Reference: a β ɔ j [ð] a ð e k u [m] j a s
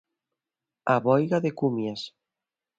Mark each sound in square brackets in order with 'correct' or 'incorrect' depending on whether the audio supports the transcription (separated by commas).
incorrect, correct